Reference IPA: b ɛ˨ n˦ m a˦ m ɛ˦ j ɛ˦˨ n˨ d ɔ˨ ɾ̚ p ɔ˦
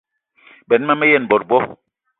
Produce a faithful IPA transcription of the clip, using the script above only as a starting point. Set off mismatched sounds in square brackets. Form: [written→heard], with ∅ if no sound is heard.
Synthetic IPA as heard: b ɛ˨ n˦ m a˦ m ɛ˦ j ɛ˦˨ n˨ [d→b] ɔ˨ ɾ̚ [p→b] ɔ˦